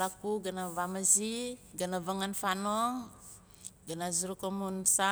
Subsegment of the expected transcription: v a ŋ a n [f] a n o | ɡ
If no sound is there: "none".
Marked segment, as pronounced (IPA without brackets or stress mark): f